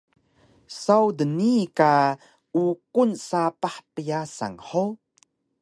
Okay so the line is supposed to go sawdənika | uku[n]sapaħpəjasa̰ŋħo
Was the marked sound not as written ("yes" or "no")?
no